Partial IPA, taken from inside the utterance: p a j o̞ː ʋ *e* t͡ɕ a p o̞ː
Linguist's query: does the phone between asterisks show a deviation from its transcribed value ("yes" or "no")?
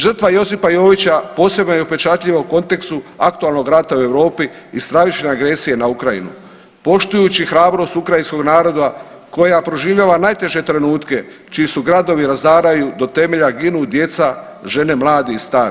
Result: yes